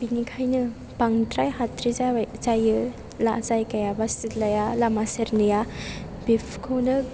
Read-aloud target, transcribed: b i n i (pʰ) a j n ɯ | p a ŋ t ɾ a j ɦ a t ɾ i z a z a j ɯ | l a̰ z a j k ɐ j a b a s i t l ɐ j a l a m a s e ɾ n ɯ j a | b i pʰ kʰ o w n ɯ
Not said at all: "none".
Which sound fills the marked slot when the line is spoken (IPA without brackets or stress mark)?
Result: kʰ